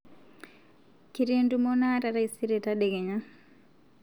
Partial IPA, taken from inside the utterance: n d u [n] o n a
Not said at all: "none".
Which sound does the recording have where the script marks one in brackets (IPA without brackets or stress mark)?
m